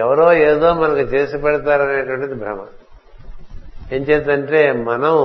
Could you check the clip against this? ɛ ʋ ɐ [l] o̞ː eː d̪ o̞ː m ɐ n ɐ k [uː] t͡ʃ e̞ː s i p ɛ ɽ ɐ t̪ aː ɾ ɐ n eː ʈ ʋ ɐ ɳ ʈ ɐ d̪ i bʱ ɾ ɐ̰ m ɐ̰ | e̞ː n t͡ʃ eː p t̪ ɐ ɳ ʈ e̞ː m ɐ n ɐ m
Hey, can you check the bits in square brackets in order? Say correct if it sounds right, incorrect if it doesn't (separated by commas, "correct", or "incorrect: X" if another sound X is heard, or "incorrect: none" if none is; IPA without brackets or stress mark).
incorrect: ɾ, incorrect: u